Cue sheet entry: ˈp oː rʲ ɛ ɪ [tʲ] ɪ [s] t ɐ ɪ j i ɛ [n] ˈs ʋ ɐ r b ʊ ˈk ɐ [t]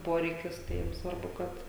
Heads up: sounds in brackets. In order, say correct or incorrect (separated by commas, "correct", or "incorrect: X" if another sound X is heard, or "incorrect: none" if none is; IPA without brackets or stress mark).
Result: incorrect: kʲ, correct, incorrect: m, correct